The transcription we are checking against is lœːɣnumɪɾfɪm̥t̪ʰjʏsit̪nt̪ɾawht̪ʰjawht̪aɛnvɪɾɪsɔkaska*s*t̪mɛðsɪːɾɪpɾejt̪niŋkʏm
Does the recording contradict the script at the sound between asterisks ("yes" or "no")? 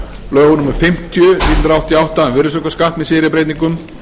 yes